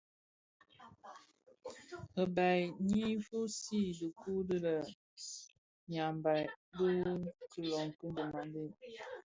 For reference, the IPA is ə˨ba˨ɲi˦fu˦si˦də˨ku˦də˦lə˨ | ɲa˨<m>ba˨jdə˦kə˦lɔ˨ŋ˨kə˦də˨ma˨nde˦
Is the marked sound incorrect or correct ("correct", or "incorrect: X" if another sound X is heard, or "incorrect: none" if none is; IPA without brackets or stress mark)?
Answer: correct